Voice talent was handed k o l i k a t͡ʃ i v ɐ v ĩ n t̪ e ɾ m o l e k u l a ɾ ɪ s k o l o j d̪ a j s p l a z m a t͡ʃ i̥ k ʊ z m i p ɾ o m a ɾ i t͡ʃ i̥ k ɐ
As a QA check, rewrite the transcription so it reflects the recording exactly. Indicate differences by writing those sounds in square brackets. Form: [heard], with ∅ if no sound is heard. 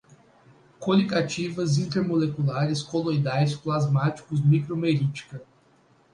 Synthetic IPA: k o l i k a t͡ʃ i v ɐ [z] ĩ n t̪ e ɾ m o l e k u l a ɾ ɪ s k o l o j d̪ a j s p l a z m a t͡ʃ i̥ k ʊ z m i [k] ɾ o m [e] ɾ i t͡ʃ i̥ k ɐ